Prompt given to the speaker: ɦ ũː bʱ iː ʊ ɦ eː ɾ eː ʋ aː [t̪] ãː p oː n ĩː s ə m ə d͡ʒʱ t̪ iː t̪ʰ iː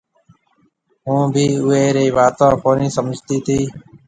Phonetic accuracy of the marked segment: correct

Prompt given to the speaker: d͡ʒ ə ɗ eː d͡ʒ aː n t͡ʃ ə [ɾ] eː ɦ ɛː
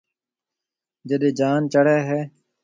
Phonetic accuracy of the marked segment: incorrect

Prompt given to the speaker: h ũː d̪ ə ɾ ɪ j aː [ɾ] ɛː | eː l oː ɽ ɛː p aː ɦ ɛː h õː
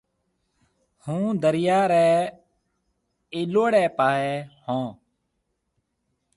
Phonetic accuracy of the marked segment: correct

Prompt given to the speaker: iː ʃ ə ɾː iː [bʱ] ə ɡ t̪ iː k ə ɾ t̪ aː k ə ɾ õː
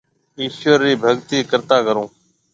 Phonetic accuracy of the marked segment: correct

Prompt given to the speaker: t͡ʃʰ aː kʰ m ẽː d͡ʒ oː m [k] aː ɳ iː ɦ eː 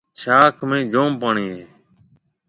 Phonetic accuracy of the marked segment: incorrect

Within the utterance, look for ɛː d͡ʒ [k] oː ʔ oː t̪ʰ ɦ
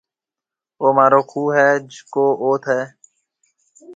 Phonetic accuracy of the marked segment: correct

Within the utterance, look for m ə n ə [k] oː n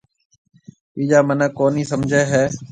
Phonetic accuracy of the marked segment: correct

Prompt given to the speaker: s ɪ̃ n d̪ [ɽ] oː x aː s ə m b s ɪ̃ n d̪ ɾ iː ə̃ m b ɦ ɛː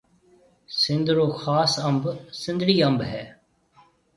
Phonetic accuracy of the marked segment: incorrect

